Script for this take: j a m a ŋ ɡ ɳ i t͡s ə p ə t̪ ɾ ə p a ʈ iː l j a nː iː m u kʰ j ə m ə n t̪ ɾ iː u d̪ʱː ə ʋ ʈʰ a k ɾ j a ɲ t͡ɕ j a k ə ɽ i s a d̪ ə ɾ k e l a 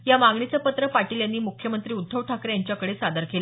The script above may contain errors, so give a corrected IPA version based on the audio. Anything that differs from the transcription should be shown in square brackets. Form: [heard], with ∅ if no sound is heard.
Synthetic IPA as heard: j a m a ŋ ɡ ɳ i t͡s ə p ə t̪ ɾ ə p a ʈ iː l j a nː iː m u kʰ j ə m ə n t̪ ɾ iː u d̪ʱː ə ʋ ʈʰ a k ɾ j a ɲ t͡ɕ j a k ə ɽ [e] s a d̪ ə ɾ k e l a